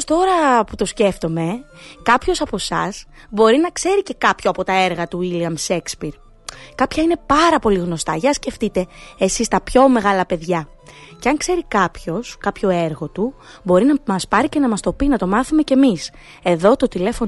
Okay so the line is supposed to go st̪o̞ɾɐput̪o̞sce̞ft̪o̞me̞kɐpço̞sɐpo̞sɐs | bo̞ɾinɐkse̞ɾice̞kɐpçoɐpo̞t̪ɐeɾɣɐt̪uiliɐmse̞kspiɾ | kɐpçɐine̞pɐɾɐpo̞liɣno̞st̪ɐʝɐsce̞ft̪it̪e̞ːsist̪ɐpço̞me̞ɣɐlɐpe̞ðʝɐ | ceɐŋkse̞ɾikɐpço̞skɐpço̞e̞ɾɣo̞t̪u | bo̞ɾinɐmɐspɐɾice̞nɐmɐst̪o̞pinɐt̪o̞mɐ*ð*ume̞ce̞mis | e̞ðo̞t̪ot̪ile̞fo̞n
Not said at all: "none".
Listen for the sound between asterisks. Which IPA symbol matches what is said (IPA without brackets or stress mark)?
θ